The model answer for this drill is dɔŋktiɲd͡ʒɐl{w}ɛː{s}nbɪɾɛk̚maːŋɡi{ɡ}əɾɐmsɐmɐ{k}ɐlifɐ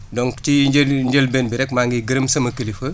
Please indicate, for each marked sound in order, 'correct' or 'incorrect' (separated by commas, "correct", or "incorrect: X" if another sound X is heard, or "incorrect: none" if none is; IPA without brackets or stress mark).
incorrect: b, incorrect: none, correct, correct